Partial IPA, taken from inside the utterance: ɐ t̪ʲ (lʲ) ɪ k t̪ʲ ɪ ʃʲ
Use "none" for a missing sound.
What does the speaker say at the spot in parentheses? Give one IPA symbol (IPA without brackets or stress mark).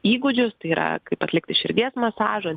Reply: lʲ